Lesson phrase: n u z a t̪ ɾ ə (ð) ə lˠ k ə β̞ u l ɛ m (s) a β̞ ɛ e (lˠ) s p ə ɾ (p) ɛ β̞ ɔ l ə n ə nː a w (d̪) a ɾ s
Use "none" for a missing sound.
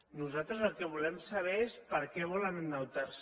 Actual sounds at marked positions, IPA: z, s, none, k, t̪

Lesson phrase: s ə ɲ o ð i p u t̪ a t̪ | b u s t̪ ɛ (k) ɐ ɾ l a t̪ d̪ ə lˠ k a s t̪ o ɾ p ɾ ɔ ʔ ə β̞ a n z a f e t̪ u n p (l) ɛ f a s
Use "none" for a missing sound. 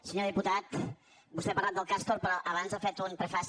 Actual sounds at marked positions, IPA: p, ɾ

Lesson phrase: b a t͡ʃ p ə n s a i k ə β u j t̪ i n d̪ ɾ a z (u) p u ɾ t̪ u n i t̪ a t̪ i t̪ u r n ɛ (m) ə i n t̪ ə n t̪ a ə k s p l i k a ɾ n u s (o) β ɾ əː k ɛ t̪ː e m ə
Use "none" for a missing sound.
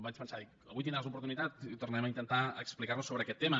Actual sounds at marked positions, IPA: u, m, o

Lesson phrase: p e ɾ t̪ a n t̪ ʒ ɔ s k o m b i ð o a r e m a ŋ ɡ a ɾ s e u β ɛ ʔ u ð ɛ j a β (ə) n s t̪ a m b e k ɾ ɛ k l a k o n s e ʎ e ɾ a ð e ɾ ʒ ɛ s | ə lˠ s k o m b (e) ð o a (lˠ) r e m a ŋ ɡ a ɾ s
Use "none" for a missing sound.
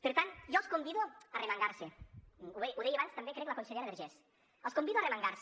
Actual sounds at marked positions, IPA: a, i, none

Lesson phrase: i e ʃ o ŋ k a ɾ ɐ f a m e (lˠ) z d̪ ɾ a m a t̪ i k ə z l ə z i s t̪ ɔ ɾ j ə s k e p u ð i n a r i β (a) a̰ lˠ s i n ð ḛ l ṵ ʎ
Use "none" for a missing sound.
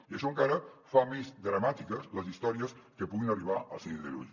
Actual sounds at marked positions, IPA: none, a

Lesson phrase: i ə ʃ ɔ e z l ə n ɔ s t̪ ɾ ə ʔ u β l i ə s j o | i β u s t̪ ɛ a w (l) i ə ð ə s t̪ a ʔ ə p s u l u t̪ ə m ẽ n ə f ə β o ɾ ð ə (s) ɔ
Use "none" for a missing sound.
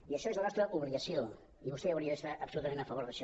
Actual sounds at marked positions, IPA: ɾ, ʃ

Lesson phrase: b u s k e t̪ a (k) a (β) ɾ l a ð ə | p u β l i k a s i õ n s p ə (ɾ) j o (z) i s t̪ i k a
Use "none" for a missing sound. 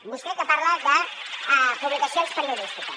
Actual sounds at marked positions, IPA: p, none, ɾ, ð

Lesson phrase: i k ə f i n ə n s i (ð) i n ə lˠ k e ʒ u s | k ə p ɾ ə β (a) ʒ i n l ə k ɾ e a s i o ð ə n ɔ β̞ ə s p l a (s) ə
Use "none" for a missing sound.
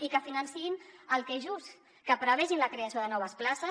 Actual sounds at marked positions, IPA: none, ɛ, s

